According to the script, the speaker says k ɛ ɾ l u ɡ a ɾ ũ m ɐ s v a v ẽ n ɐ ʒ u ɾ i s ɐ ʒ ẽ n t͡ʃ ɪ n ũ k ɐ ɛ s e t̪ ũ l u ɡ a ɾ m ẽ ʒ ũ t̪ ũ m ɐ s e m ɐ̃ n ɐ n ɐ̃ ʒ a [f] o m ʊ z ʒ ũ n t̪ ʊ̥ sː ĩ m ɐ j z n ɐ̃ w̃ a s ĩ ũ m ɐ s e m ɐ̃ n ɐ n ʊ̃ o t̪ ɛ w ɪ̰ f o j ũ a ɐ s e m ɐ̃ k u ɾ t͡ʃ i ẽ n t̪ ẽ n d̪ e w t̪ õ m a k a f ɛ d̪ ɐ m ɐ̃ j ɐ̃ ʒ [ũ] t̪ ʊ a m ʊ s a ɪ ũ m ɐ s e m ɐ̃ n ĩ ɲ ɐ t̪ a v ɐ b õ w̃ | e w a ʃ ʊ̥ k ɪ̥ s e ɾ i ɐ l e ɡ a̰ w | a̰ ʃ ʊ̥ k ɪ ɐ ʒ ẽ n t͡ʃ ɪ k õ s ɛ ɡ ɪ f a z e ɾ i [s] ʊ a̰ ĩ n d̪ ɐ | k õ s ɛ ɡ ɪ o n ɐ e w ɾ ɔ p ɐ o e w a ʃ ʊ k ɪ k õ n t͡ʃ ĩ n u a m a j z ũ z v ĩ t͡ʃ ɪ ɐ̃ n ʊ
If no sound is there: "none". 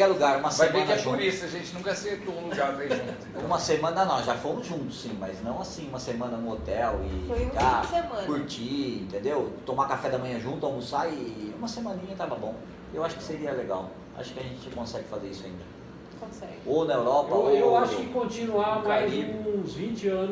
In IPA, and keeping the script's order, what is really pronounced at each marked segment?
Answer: f, ũ, s

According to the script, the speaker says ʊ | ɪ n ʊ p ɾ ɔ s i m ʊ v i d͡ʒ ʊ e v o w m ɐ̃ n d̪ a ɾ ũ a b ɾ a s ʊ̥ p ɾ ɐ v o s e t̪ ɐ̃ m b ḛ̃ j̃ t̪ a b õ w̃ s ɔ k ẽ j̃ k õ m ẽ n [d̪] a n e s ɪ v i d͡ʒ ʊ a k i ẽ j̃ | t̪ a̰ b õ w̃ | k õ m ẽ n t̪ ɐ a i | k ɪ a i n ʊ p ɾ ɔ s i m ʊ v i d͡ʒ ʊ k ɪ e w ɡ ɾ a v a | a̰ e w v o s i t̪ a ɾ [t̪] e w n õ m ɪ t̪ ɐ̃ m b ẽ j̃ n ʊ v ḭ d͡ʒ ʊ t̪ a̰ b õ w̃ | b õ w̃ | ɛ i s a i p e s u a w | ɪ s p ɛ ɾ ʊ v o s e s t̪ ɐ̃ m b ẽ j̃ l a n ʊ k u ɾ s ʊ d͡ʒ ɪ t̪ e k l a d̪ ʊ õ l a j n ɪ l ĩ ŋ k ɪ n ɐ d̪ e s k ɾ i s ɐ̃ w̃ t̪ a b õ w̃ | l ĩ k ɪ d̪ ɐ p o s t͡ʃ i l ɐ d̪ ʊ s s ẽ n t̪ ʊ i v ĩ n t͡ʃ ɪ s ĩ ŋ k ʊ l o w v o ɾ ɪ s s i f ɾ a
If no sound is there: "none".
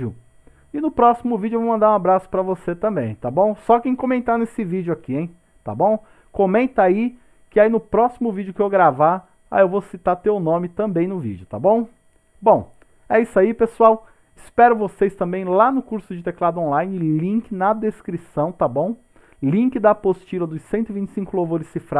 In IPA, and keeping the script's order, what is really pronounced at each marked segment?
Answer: t̪, t̪

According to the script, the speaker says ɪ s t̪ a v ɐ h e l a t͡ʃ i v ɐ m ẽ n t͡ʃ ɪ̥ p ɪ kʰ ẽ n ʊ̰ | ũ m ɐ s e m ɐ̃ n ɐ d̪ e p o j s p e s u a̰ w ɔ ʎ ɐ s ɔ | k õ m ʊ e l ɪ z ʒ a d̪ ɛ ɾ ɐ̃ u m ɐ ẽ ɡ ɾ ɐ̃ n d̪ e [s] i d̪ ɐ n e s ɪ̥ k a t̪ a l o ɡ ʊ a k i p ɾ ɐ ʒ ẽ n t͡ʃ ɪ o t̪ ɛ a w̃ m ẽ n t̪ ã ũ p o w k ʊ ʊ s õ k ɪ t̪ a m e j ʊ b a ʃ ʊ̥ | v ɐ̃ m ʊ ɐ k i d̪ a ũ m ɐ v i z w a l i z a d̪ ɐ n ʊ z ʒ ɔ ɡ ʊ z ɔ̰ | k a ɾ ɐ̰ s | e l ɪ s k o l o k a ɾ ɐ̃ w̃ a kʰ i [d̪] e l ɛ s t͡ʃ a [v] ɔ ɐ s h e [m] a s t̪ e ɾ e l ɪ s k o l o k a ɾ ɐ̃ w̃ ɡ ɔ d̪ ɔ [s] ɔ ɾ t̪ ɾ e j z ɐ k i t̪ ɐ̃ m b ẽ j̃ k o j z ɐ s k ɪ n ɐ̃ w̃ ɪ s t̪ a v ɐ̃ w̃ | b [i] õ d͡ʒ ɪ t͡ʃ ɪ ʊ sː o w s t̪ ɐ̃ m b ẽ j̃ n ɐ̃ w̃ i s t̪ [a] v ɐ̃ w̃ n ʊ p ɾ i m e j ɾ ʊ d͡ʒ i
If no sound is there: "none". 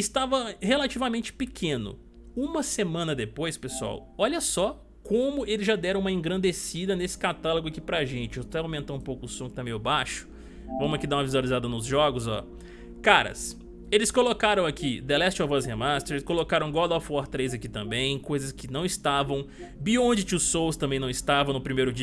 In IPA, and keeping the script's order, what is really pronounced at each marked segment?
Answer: s, d̪, v, m, f, i, a

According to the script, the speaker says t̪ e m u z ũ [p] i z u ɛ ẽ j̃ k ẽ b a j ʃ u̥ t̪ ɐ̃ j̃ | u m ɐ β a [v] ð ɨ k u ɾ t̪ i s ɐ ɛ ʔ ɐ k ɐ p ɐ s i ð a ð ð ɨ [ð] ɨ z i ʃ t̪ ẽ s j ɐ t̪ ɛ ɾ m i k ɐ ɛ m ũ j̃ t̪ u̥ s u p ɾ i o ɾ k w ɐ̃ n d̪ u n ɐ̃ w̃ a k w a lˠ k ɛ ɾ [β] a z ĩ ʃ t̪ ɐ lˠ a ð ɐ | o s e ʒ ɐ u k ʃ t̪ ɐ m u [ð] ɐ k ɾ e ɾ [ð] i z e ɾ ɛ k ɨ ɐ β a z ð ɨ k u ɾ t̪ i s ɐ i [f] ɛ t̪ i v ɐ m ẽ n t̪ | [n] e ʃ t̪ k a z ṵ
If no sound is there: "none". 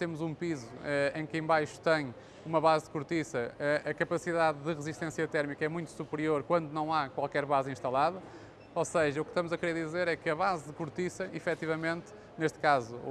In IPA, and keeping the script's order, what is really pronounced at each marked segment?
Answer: p, z, ʁ, β, z, ð, f, n

